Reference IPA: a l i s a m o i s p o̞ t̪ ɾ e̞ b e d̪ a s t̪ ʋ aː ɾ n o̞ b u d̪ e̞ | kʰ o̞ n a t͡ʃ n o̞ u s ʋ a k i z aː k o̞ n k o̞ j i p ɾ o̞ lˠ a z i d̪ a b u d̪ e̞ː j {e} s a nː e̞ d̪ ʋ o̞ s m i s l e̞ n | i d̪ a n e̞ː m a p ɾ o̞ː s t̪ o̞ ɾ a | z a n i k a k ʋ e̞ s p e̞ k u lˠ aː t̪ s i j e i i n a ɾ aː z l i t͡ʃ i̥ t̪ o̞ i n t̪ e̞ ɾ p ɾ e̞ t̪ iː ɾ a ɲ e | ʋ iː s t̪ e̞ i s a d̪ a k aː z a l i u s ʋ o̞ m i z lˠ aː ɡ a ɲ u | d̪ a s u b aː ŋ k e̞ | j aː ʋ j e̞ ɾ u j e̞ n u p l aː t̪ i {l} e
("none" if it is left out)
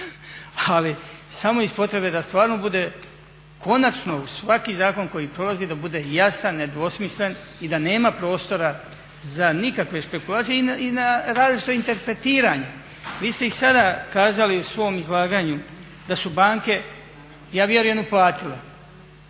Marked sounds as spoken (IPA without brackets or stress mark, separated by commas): a, l